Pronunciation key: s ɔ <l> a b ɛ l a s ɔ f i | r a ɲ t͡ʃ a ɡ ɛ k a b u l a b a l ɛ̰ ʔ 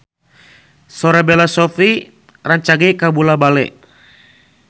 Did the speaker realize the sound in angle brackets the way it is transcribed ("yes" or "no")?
no